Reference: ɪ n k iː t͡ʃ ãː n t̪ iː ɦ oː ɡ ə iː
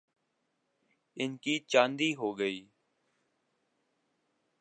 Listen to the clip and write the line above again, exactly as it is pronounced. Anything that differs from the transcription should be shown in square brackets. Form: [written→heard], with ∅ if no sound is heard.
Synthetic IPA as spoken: ɪ n k iː t͡ʃ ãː n [t̪→d̪] iː ɦ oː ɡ ə iː